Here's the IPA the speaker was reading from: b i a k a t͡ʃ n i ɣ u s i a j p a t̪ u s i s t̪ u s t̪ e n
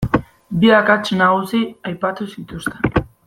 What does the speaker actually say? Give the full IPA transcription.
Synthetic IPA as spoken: b i a k a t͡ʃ n a ɣ u s i a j p a t̪ u s i t̪ u s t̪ e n